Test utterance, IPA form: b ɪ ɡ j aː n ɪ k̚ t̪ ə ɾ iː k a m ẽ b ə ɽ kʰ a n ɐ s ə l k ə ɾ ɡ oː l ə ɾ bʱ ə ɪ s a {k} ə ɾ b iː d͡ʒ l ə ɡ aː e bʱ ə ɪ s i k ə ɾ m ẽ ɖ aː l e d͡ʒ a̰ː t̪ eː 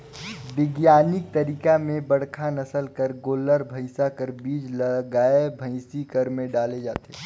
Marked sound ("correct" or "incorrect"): correct